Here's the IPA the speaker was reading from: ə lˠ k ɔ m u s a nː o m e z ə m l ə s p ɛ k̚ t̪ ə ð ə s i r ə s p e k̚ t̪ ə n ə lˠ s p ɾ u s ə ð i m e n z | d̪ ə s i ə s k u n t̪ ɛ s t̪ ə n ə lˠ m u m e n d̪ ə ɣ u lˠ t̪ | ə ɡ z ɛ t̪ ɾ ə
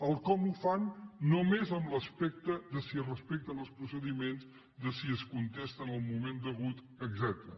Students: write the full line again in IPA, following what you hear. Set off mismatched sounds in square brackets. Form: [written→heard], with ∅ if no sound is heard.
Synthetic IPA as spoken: ə lˠ k ɔ m u [s→f] a nː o m e z ə m l ə s p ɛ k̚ t̪ ə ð ə s i r ə s p e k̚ t̪ ə n ə lˠ s p ɾ u s ə ð i m e n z | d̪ ə s i ə s k u n t̪ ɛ s t̪ ə n ə lˠ m u m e n d̪ ə ɣ u [lˠ→∅] t̪ | ə ɡ z ɛ t̪ ɾ ə